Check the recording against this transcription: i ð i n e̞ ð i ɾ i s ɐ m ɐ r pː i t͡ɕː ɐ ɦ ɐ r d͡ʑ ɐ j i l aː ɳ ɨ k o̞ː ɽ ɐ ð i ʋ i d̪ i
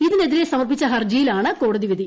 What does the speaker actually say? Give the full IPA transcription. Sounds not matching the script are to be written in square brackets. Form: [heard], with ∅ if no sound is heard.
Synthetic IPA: i ð i n e̞ ð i ɾ [e] s ɐ m ɐ r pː i t͡ɕː ɐ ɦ ɐ r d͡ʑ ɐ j i l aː ɳ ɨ k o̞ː ɽ ɐ ð i ʋ i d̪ i

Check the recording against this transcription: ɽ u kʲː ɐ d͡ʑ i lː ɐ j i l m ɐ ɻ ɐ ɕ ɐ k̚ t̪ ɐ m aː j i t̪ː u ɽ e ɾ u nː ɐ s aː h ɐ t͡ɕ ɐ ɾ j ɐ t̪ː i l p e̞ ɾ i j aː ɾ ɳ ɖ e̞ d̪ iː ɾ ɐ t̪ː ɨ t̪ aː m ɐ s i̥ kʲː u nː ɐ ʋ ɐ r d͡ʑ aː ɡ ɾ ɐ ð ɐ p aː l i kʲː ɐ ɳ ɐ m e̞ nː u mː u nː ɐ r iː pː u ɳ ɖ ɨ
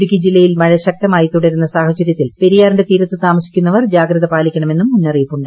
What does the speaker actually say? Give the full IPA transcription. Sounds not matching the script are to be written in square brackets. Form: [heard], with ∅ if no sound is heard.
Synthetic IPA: ɽ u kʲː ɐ d͡ʑ i lː ɐ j i l m ɐ ɻ ɐ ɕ ɐ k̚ t̪ ɐ m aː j i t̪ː u ɽ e ɾ u nː ɐ s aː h ɐ t͡ɕ ɐ ɾ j ɐ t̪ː i l p e̞ ɾ i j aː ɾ ɳ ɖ e̞ [t̪] iː ɾ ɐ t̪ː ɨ t̪ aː m ɐ s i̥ kʲː u nː ɐ ʋ ɐ r d͡ʑ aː ɡ ɾ ɐ ð ɐ p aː l i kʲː ɐ ɳ ɐ m e̞ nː u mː u nː ɐ r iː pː u ɳ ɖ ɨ

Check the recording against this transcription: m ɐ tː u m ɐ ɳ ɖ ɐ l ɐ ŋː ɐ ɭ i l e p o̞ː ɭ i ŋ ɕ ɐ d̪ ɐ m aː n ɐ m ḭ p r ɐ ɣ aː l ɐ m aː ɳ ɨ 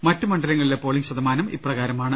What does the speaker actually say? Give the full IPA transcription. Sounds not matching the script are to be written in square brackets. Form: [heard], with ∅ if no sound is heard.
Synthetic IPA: m ɐ tː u m ɐ ɳ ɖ ɐ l ɐ ŋː ɐ ɭ i l e p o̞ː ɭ i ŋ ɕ ɐ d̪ ɐ m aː n ɐ m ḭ p r ɐ ɣ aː [ɾ] ɐ m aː ɳ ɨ

